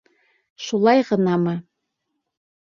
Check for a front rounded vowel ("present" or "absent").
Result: absent